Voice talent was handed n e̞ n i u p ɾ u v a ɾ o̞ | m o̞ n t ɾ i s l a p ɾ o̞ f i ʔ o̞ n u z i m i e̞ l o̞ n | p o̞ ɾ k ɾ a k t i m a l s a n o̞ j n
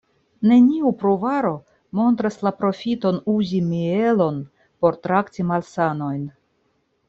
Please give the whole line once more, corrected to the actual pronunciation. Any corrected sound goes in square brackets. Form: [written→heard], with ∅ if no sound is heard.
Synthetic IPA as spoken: n e̞ n i u p ɾ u v a ɾ o̞ | m o̞ n t ɾ [i→a] s l a p ɾ o̞ f i [ʔ→t] o̞ n u z i m i e̞ l o̞ n | p o̞ ɾ [k→t] ɾ a k t i m a l s a n o̞ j n